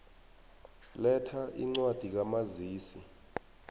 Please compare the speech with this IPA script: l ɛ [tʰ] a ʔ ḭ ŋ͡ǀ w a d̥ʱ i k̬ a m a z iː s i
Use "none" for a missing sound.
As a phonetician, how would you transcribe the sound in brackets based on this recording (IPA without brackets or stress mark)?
tʰ